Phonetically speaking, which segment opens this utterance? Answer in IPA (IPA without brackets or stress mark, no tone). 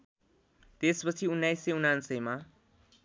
t̪